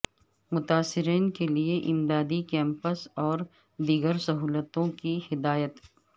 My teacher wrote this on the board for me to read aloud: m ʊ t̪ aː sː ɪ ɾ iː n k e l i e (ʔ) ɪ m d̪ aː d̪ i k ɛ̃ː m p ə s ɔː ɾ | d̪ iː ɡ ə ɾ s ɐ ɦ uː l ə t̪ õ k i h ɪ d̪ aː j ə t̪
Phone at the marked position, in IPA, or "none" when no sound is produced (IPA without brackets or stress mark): ʔ